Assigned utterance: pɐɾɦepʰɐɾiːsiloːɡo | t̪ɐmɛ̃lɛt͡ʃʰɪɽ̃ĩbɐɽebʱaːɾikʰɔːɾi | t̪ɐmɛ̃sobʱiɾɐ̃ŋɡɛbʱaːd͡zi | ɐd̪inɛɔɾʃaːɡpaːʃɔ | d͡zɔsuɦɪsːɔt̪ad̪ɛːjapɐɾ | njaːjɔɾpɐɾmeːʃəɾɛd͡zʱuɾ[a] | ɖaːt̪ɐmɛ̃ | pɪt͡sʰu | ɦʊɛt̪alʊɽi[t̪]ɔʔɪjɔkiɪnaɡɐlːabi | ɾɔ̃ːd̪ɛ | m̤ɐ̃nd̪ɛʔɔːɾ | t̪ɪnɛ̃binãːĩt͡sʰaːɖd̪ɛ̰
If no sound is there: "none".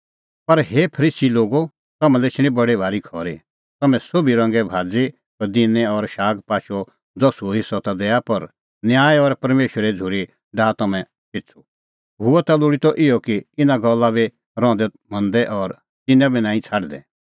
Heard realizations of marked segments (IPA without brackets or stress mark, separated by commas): i, t̪